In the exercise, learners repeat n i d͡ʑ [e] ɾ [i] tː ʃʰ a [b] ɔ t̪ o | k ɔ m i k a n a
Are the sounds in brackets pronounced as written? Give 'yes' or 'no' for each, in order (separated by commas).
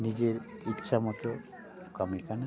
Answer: yes, yes, no